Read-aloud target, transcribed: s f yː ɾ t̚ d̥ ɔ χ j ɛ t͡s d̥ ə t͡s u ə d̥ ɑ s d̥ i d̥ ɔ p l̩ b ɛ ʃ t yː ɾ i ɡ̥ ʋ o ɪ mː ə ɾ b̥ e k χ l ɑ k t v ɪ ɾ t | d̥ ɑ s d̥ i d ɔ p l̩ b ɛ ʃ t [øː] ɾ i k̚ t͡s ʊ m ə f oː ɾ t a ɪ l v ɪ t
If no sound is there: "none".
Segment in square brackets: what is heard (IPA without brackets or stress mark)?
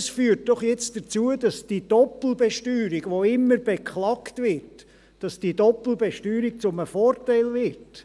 yː